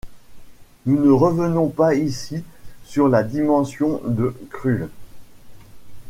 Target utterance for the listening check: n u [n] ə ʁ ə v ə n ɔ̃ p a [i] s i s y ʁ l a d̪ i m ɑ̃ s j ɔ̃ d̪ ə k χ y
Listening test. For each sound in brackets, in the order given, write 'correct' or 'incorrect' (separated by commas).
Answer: correct, correct